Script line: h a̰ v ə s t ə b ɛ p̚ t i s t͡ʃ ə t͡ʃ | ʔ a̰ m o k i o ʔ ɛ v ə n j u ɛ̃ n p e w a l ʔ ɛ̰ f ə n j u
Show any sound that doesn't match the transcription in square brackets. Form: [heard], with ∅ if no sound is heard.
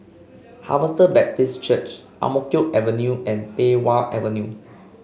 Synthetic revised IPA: h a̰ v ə s t ə b ɛ p̚ t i s t͡ʃ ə t͡ʃ | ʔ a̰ m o k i o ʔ ɛ v ə n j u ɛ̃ n p e w a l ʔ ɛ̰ [v] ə n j u